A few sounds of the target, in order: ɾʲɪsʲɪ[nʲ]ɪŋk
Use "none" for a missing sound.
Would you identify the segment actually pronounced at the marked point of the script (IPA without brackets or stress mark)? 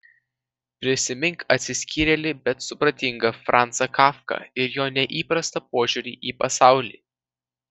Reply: mʲ